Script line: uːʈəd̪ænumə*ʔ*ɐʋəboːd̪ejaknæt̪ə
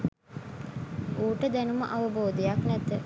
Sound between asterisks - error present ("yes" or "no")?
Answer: no